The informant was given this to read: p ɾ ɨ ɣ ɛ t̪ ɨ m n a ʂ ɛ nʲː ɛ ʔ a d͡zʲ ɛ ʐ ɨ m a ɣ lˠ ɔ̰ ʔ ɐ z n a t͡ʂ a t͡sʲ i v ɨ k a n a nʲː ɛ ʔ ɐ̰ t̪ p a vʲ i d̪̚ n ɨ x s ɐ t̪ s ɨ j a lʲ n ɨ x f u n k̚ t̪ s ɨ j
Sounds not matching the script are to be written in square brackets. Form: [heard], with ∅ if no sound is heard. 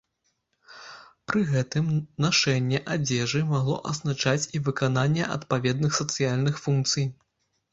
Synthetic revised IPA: p ɾ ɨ ɣ ɛ t̪ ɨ m n a ʂ ɛ nʲː ɛ ʔ a d͡zʲ ɛ ʐ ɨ m a ɣ lˠ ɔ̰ ʔ ɐ z n a t͡ʂ a t͡sʲ i v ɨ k a n a nʲː ɛ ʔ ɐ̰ t̪ p a vʲ [ɛ] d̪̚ n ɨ x s ɐ t̪ s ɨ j a lʲ n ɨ x f u n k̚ t̪ s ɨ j